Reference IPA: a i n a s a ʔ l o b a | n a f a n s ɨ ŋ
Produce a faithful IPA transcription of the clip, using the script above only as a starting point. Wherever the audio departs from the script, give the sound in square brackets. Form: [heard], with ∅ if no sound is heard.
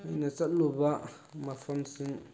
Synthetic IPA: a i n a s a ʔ l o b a | [m] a f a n s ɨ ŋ